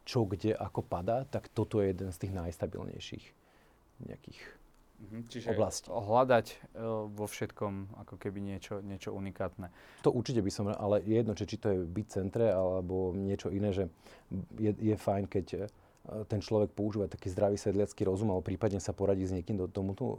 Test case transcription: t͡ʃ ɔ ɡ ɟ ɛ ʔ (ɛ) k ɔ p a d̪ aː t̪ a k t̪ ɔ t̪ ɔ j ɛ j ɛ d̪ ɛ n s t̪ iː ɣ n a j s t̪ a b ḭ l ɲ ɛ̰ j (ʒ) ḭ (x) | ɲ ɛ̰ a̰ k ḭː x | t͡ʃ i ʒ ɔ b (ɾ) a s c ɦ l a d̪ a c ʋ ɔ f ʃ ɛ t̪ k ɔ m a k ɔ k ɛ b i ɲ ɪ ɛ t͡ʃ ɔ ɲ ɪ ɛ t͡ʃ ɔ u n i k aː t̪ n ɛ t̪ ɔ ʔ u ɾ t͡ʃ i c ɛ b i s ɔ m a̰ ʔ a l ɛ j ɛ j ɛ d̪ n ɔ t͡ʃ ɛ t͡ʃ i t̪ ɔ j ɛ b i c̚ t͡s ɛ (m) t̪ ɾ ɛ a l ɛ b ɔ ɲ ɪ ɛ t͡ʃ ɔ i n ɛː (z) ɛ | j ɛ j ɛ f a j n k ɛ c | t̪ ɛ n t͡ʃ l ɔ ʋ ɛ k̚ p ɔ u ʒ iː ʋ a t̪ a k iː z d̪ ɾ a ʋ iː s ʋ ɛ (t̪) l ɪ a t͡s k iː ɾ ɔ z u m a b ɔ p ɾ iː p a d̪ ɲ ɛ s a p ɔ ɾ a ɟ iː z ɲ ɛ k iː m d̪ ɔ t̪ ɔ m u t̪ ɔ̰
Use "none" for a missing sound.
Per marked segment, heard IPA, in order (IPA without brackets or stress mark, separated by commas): a, ʃ, x, l, n, ʒ, d̪